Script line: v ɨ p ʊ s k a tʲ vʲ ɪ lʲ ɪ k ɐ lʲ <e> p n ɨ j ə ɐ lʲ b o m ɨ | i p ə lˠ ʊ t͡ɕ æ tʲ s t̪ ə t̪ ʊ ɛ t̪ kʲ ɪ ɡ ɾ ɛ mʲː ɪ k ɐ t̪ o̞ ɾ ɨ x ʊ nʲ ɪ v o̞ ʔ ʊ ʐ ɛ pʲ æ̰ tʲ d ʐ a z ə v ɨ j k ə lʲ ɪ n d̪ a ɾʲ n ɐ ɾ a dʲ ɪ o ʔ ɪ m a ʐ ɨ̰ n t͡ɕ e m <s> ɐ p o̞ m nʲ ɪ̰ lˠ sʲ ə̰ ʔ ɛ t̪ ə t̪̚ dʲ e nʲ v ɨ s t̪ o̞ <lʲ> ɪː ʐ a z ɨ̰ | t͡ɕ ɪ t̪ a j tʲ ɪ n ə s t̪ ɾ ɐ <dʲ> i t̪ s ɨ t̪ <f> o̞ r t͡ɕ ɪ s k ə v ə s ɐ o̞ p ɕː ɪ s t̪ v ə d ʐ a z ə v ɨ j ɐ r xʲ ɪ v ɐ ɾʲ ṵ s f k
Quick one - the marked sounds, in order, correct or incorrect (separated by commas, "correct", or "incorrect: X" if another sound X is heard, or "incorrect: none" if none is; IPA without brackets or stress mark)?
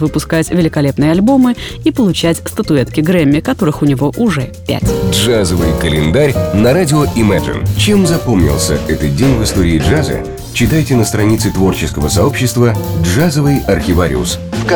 correct, incorrect: z, incorrect: ɾʲ, incorrect: nʲ, incorrect: v